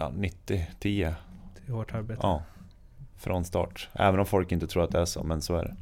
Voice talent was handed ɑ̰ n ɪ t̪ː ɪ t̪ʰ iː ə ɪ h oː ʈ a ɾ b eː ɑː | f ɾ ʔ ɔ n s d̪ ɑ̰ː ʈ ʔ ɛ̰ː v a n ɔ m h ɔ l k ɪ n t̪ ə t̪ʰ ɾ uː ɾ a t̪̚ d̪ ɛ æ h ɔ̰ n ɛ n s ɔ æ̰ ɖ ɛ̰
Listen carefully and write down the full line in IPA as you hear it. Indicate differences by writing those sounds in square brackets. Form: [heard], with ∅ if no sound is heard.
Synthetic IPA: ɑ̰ n ɪ t̪ː ɪ t̪ʰ iː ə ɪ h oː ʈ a ɾ b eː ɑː | f ɾ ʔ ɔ n s [t̪] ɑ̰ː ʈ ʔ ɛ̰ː v [ə] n ɔ m [f] ɔ l k ɪ n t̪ ə t̪ʰ ɾ uː ɾ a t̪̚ d̪ ɛ æ [ʂ] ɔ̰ [m] ɛ n s ɔ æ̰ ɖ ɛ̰